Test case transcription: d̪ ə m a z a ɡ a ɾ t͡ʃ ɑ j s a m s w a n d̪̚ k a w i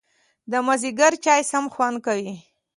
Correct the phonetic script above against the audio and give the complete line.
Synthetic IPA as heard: d̪ ə m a z i ɡ a ɾ t͡ʃ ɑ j s a m x w a n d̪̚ k a w i